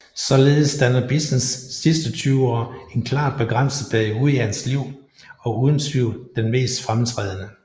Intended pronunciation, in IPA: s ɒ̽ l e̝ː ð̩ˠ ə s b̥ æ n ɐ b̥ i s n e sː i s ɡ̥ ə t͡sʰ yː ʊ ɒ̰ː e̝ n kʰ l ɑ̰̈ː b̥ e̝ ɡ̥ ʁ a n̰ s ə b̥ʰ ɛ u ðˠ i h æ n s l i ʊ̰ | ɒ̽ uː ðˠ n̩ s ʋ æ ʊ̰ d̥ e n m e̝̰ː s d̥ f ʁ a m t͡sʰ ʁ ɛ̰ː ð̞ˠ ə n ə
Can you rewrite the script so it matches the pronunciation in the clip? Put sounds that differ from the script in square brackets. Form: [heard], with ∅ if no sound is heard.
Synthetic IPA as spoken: s ɒ̽ l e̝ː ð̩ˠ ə s [d̥] æ n ɐ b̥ i s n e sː i s [d̥] ə t͡sʰ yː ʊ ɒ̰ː e̝ n kʰ l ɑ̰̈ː b̥ e̝ ɡ̥ ʁ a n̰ s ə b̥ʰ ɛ u ðˠ i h æ n s l i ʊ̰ | ɒ̽ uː ðˠ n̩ s ʋ [i] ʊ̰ d̥ e n m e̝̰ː s d̥ f ʁ a m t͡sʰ ʁ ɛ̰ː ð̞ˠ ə n ə